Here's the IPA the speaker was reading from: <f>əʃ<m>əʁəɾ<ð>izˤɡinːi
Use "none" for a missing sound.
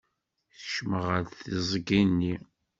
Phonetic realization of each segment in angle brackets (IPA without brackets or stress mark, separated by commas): θ, m, θ